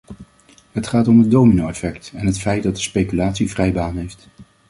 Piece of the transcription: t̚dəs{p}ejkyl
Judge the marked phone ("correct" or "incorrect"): correct